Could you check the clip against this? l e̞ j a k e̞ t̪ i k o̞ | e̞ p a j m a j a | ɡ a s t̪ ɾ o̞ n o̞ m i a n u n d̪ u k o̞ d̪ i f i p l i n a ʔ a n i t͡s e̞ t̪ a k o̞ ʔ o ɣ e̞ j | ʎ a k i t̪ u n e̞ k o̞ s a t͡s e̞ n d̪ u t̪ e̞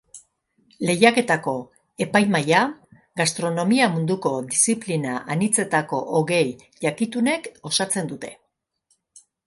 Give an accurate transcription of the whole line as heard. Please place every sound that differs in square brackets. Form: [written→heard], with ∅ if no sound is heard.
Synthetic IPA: l e̞ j a k e̞ t̪ [i→a] k o̞ | e̞ p a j m a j a | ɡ a s t̪ ɾ o̞ n o̞ m i a [n→m] u n d̪ u k o̞ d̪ i [f→s] i p l i n a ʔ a n i t͡s e̞ t̪ a k o̞ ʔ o ɣ e̞ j | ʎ a k i t̪ u n e̞ k o̞ s a t͡s e̞ n d̪ u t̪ e̞